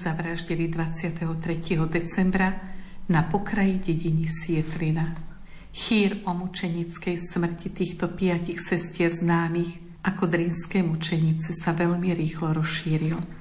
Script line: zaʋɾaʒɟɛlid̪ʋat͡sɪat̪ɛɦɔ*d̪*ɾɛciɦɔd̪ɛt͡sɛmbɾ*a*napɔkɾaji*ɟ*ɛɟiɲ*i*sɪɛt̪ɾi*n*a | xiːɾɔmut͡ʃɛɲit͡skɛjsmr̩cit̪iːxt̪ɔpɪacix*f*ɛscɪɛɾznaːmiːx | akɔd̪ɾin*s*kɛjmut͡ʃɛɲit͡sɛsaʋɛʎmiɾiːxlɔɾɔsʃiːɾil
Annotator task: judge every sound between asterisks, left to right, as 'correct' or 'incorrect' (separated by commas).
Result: incorrect, correct, correct, correct, correct, incorrect, correct